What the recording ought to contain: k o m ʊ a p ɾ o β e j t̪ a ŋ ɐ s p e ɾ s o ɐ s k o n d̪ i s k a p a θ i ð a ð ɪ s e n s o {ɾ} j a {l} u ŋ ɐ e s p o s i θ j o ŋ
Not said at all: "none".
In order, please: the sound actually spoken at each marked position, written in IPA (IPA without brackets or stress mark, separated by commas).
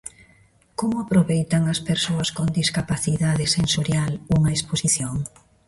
ɾ, l